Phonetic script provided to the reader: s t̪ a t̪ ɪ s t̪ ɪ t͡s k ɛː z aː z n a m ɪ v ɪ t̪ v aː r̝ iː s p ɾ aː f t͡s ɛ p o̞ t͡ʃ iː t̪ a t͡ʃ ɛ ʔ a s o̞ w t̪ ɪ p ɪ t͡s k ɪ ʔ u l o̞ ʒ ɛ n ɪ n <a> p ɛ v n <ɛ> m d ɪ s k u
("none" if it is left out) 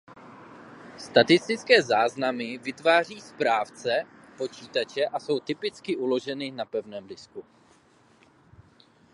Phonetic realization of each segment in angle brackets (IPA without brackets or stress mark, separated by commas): a, ɛː